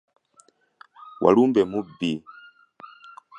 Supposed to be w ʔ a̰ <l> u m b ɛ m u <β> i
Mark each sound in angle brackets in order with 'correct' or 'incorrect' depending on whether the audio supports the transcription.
correct, incorrect: b

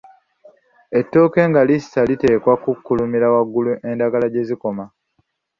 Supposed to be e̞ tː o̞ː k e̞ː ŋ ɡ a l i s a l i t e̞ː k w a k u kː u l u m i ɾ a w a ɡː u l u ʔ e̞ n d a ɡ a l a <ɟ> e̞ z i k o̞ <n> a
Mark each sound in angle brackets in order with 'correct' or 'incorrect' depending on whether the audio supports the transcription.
correct, incorrect: m

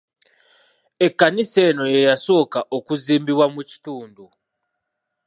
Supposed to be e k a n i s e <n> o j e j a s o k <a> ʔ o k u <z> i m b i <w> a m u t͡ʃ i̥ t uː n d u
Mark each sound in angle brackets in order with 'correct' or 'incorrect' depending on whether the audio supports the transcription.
correct, correct, correct, correct

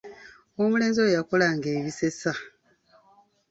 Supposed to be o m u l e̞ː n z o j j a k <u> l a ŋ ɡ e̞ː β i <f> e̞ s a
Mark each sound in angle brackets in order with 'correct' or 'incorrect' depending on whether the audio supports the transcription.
incorrect: o, incorrect: s

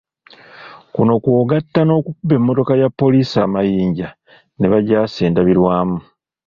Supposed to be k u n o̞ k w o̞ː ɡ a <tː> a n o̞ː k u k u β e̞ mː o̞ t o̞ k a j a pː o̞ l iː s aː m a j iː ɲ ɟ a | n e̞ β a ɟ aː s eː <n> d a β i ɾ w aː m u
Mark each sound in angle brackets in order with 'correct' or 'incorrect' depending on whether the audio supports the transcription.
correct, correct

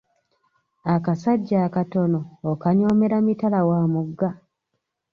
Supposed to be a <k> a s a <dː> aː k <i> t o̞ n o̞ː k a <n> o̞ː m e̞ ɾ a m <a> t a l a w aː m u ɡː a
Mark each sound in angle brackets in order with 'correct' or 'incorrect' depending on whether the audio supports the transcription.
correct, incorrect: ɟː, incorrect: a, incorrect: ɲ, incorrect: i

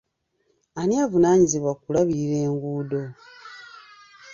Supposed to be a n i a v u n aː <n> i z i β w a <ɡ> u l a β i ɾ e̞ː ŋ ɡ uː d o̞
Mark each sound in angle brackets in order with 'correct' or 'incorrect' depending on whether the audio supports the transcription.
incorrect: ɲ, incorrect: k

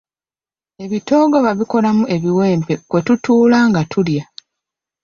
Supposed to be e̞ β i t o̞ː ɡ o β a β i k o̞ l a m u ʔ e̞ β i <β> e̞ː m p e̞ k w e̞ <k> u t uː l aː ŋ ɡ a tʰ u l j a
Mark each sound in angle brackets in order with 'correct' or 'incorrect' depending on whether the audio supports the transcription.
incorrect: w, incorrect: t

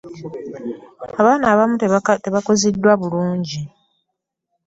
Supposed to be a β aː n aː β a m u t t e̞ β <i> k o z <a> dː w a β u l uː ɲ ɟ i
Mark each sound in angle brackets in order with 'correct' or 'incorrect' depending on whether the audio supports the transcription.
incorrect: a, incorrect: i

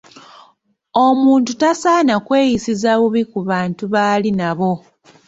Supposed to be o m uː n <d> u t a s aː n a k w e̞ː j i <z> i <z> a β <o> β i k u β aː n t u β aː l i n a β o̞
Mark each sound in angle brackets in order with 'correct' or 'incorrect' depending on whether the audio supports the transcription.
incorrect: t, incorrect: s, correct, incorrect: u

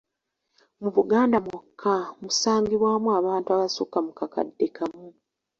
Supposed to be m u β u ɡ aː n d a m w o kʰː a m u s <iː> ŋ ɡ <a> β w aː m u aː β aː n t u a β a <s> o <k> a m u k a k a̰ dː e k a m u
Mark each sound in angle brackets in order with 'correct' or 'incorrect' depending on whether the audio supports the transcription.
incorrect: aː, incorrect: i, correct, correct

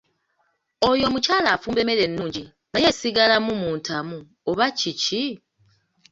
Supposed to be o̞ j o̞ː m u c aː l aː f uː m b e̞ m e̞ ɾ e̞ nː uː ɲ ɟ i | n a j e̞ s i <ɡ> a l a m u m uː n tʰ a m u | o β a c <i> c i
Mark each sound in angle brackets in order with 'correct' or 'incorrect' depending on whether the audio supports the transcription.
correct, correct

